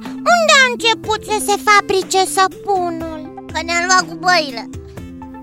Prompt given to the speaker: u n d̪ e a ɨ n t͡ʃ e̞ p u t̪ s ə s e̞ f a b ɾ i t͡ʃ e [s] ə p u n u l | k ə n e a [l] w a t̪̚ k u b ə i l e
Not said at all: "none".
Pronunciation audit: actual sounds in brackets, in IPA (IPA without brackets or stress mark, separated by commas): s, l